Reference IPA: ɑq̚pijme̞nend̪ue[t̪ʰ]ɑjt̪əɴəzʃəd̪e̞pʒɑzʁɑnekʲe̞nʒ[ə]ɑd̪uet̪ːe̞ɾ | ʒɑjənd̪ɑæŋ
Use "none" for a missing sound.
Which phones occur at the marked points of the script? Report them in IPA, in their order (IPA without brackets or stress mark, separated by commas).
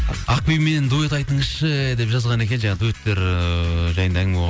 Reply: t̪, ɑ